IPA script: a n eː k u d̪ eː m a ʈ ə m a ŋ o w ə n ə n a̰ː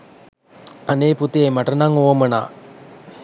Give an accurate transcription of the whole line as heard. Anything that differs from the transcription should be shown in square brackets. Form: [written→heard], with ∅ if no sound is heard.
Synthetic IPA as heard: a n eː [k→p] u [d̪→t̪] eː m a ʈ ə [m→n] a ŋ o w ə [n→m] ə n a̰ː